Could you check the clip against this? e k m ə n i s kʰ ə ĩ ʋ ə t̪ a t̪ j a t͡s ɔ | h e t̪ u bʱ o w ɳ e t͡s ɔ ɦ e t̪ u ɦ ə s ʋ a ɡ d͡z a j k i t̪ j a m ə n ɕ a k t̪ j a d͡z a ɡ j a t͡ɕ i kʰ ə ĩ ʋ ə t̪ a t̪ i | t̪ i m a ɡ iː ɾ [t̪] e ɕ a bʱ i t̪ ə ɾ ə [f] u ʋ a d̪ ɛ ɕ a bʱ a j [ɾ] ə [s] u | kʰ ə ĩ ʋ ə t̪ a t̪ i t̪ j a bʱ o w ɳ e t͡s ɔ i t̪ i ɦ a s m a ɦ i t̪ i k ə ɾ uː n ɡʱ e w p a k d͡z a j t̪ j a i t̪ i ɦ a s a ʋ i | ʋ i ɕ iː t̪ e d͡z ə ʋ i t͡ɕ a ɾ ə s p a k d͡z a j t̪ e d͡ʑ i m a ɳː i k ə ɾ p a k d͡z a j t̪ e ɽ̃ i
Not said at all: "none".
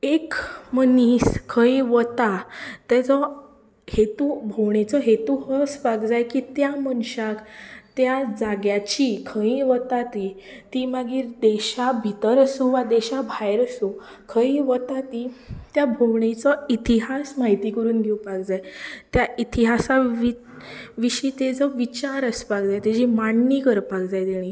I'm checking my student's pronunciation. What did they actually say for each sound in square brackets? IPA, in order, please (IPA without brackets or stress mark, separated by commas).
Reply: d̪, s, ɾ, s